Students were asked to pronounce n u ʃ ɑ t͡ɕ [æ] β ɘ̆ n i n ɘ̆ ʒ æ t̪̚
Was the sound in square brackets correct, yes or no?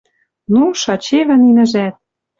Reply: no